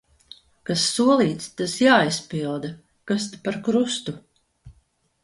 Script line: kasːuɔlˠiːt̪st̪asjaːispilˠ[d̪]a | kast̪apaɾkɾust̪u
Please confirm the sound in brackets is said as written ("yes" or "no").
yes